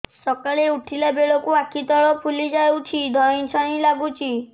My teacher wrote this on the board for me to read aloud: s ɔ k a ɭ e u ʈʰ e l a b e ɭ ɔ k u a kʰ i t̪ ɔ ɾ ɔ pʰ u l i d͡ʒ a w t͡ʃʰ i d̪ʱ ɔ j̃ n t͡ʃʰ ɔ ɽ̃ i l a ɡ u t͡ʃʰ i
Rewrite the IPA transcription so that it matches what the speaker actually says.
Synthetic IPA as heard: s ɔ k a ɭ e u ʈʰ i l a b e ɭ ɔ k u a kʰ i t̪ ɔ ɭ ɔ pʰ u l i d͡ʒ a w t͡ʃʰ i d̪ʱ ɔ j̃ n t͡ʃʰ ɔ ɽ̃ i l a ɡ u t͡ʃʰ i